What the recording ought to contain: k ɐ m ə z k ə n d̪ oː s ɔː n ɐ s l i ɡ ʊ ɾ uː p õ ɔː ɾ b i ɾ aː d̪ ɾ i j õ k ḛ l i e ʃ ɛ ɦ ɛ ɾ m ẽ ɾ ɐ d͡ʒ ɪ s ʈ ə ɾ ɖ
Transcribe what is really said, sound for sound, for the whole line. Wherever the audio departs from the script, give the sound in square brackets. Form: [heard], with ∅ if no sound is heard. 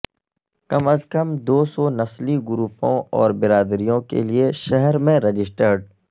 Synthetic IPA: k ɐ m ə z k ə [m] d̪ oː s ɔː n ɐ s l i ɡ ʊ ɾ uː p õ ɔː ɾ b [ɪ] ɾ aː d̪ ɾ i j õ k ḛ l i e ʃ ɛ ɦ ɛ ɾ m ẽ ɾ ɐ d͡ʒ ɪ s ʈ ə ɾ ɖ